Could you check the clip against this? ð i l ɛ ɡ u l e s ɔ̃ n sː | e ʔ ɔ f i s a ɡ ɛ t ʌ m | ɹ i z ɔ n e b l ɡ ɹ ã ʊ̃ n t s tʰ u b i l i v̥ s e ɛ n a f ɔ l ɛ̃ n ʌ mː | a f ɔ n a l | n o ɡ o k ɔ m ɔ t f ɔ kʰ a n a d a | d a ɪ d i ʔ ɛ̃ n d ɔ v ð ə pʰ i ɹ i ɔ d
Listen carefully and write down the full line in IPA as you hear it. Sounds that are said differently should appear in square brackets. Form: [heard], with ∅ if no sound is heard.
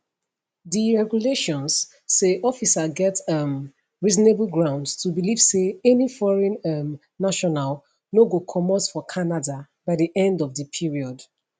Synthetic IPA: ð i [ɹ] ɛ ɡ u l e [ʃ] ɔ̃ n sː | e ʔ ɔ f i s a ɡ ɛ t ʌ m | ɹ i z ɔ n e b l ɡ ɹ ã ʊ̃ n [d] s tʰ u b i l i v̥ s e ɛ n [i] f ɔ [ɹ] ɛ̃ n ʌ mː | a [ʃ] ɔ n a l | n o ɡ o [kʰ] ɔ m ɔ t f ɔ kʰ a n a d a | [b] a ɪ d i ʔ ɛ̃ n d ɔ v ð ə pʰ i ɹ i ɔ d